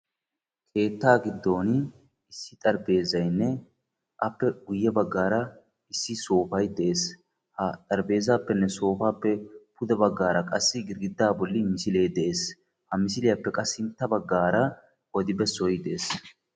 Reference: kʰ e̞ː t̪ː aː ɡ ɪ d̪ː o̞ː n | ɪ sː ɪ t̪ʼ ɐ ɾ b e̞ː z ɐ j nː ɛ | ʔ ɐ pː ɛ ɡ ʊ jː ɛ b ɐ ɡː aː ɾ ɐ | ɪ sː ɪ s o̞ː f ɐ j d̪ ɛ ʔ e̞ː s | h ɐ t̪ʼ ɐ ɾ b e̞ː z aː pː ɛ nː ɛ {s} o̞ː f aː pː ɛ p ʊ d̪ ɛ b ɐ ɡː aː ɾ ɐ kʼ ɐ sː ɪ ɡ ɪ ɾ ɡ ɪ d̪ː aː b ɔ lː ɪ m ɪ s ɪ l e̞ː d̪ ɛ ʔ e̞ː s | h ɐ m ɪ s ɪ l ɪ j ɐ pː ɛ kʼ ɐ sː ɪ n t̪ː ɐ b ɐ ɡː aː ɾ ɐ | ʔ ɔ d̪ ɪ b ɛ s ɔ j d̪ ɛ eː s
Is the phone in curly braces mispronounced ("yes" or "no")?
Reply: no